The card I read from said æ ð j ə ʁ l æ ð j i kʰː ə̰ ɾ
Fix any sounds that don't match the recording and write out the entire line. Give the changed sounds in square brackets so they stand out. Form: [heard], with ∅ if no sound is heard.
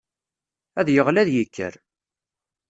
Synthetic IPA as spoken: æ ð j ə ʁ l æ ð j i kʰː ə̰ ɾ